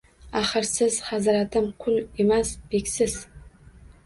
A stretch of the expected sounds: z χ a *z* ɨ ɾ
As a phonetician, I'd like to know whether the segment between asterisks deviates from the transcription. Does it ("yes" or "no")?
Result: no